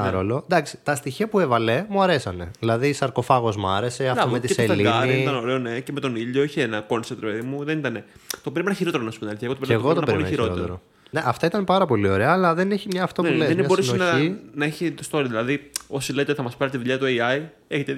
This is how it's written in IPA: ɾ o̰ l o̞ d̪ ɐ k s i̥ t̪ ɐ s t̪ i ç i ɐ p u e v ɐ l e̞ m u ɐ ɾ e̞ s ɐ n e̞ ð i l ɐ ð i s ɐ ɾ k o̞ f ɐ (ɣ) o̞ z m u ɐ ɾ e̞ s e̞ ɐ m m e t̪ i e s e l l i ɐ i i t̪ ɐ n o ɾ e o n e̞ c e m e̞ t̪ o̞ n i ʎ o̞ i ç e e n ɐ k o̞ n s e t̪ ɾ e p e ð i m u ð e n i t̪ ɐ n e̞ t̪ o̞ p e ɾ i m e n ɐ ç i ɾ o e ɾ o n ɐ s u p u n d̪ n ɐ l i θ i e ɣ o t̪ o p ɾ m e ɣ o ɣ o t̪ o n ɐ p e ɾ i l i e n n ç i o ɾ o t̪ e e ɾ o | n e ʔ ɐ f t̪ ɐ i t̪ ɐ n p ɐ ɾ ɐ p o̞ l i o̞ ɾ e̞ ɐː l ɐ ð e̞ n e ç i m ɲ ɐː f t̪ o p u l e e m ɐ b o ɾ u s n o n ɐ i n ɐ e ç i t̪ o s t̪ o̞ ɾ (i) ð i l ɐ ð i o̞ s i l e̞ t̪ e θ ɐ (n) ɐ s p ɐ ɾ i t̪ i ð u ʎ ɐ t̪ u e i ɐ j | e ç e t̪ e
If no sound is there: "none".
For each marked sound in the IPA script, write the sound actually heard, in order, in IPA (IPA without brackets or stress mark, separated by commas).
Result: ɣ, i, m